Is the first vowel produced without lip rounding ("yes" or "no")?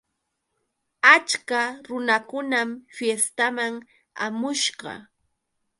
yes